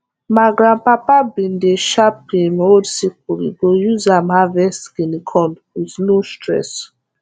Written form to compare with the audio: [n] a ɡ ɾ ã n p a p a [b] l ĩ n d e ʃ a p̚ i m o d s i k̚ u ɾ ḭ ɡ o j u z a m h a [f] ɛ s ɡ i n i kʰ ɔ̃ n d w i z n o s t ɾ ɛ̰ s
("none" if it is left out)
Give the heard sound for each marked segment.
m, b, v

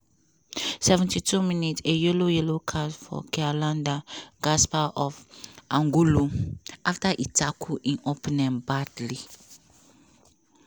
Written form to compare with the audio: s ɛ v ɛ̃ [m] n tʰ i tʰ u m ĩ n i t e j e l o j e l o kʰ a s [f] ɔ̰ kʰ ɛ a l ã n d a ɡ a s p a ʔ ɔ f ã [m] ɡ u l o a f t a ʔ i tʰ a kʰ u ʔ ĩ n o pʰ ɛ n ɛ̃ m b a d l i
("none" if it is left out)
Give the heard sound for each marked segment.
none, f, ŋ

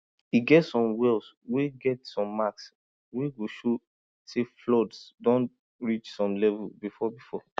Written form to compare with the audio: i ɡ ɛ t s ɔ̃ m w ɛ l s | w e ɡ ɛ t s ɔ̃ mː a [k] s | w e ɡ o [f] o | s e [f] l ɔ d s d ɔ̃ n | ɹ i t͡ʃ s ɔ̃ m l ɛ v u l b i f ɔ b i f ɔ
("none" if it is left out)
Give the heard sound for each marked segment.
k, ʃ, f

